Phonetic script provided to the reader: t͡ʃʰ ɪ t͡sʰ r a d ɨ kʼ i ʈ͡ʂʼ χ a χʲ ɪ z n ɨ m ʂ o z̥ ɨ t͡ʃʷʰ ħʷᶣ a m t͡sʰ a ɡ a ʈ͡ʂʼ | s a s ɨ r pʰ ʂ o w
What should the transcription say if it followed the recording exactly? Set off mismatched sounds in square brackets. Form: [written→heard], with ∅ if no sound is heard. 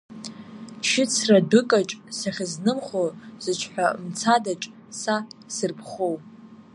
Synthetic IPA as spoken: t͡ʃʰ ɪ t͡sʰ r a d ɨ kʼ [i→a] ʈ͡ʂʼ [χ→s] a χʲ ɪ z n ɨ m [ʂ→χ] o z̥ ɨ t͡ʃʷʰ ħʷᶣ a m t͡sʰ a [ɡ→d] a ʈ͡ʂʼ | s a s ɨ r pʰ [ʂ→χ] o w